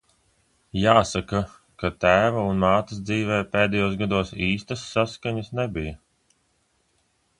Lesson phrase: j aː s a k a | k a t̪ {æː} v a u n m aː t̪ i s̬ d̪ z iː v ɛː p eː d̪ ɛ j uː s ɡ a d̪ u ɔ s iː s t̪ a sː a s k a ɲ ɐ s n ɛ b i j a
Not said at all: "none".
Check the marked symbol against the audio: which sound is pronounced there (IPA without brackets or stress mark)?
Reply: æː